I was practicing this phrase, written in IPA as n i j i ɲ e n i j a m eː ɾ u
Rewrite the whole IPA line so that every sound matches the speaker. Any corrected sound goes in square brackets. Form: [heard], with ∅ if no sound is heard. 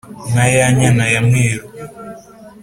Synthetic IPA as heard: n [a] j [a] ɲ [a] n [a] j a m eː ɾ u

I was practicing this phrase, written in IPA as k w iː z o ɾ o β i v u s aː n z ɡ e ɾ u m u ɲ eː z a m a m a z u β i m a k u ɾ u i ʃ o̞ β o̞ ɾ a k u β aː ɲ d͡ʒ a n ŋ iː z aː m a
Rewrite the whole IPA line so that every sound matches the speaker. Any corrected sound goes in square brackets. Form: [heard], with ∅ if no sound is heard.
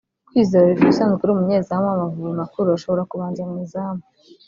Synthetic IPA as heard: k w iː z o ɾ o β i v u s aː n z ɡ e ɾ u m u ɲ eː z a m a m a [v] u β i m a k u ɾ u [a] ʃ o̞ β o̞ ɾ a k u β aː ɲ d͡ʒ a [m] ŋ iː z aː m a

